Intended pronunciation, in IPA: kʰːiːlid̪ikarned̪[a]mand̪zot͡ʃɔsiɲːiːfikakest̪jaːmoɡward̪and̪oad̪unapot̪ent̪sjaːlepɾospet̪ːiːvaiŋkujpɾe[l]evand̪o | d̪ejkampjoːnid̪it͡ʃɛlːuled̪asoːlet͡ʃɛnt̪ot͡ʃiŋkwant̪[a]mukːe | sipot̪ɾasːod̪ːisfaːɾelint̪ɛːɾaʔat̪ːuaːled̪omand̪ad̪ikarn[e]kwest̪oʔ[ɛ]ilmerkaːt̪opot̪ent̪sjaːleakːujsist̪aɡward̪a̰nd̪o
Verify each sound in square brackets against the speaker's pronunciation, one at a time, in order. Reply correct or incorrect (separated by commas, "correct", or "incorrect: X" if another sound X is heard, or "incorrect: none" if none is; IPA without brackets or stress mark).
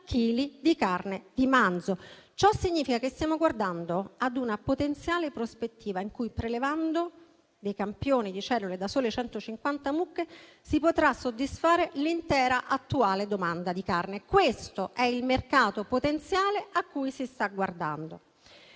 incorrect: i, correct, correct, correct, correct